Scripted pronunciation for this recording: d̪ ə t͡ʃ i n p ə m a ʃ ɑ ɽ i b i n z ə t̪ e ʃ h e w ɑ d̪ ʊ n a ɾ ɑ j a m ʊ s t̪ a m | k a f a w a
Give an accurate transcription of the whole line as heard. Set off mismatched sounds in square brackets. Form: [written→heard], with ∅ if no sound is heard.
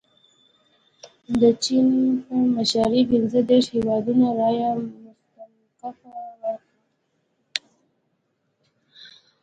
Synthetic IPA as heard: d̪ ə t͡ʃ i n p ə m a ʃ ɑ [ɽ→ɾ] i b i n z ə [t̪→d̪] e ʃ h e w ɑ d̪ [ʊ→u] n a ɾ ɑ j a m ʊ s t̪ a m | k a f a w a